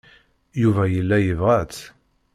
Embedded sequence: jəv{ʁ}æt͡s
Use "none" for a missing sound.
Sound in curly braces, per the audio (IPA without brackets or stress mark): ʁ